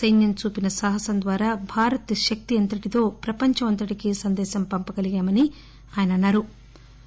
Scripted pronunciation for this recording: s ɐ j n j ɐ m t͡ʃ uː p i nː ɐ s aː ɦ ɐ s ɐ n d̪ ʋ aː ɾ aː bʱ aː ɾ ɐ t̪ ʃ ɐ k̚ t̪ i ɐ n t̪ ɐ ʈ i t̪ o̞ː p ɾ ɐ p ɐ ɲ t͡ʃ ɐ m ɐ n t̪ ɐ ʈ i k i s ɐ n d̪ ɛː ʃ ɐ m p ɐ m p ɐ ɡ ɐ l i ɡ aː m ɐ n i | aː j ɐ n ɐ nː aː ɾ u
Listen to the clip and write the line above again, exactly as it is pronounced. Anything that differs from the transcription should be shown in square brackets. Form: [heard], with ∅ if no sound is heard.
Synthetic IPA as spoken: s ɐ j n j ɐ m t͡ʃ uː p i [n] ɐ s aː ɦ ɐ s ɐ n d̪ ʋ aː ɾ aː bʱ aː ɾ ɐ t̪ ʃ ɐ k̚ t̪ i ɐ n t̪ ɐ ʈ i t̪ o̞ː p ɾ ɐ p ɐ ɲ t͡ʃ ɐ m ɐ n t̪ ɐ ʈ i k i s ɐ n d̪ ɛː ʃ ɐ m p ɐ m p ɐ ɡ ɐ l i ɡ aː m ɐ n i | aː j ɐ n ɐ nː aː ɾ u

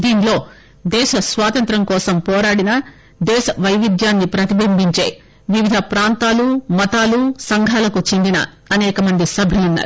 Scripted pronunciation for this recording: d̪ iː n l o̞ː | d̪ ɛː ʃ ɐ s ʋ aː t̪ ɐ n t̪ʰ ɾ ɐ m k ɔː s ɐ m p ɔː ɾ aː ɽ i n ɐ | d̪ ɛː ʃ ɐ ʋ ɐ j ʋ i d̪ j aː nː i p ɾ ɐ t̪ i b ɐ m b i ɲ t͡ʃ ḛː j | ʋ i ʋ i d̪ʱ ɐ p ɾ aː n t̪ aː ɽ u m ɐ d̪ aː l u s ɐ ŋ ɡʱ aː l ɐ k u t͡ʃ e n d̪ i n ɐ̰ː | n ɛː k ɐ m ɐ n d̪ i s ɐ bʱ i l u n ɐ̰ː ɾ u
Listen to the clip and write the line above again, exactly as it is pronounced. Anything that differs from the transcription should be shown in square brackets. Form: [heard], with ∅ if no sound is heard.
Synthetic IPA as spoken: d̪ iː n l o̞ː | d̪ ɛː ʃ ɐ s ʋ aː t̪ ɐ n [t̪] ɾ ɐ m k ɔː s ɐ m p ɔː ɾ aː ɽ i n ɐ | d̪ ɛː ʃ ɐ ʋ ɐ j ʋ i d̪ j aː nː i p ɾ ɐ t̪ i b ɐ m b i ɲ t͡ʃ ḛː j | ʋ i ʋ i d̪ʱ ɐ p ɾ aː n t̪ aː [l] u m ɐ [t̪] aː l u s ɐ ŋ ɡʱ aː l ɐ k u t͡ʃ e n d̪ i n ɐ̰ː | n ɛː k ɐ m ɐ n d̪ i s ɐ bʱ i l u [nː] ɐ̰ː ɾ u

